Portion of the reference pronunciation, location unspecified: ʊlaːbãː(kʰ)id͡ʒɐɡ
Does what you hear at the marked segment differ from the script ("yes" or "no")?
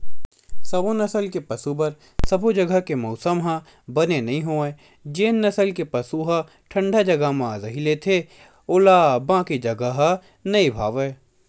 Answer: yes